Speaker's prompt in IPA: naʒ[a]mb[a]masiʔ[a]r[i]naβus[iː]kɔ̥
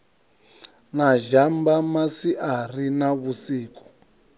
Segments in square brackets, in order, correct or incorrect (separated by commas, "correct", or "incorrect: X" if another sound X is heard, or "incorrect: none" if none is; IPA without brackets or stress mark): correct, correct, correct, correct, correct